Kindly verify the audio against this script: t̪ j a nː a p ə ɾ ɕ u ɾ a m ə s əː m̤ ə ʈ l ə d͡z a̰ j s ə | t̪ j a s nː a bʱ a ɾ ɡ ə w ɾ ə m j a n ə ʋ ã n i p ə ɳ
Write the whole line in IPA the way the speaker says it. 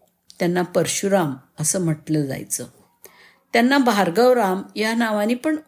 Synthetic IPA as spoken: t̪ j a nː a p ə ɾ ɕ u ɾ a m ə s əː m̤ ə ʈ l ə d͡z a̰ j t͡s ə | t̪ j a nː a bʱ a ɾ ɡ ə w ɾ a m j a n a ʋ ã n i p ə ɳ